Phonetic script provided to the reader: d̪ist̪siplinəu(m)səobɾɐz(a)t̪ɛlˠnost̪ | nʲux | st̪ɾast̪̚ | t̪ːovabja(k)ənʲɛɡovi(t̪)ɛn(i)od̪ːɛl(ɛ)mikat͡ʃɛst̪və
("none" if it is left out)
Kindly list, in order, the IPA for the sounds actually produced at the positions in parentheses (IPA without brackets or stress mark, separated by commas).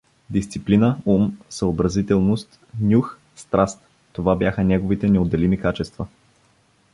m, i, x, t̪, ɛ, i